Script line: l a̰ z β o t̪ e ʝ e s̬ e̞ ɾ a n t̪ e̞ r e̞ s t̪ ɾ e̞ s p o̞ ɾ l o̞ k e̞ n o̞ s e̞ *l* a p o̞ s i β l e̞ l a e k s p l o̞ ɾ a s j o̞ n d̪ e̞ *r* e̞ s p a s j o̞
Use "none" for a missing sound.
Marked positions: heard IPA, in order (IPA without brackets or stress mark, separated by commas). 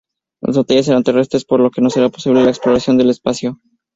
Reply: ɾ, l